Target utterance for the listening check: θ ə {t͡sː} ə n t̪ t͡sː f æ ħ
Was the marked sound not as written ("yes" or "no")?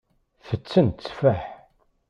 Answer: no